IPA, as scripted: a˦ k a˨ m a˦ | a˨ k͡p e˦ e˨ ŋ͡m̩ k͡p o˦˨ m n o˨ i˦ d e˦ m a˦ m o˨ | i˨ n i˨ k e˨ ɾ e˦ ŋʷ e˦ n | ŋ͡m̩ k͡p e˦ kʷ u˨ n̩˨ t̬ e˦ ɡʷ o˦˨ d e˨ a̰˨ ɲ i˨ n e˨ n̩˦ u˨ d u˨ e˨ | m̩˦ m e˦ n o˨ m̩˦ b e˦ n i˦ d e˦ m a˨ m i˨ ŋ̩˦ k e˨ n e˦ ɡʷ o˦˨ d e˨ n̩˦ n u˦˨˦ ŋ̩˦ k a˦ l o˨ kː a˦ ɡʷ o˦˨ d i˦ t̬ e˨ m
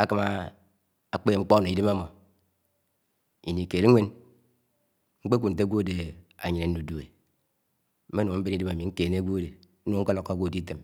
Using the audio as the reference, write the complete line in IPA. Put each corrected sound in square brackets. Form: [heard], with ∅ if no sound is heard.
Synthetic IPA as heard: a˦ k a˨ m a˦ | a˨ k͡p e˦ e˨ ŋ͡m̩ k͡p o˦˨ [∅] n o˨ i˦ d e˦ m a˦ m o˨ | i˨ n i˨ k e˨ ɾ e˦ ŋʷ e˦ n | ŋ͡m̩ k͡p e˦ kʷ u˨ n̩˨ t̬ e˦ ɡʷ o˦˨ d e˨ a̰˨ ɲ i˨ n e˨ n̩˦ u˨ d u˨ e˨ | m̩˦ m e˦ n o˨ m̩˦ b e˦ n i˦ d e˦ m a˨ m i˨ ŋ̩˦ k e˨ n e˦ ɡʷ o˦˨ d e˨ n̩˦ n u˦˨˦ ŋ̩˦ k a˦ l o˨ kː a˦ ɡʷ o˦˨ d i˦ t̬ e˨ m